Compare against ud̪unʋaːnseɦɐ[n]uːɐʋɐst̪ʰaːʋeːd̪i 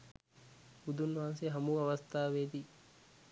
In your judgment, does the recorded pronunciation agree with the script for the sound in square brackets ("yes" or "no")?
no